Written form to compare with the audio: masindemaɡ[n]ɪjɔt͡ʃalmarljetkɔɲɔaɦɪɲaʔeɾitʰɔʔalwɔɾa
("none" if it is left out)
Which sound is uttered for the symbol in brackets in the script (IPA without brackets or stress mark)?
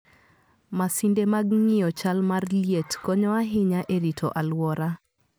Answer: ŋ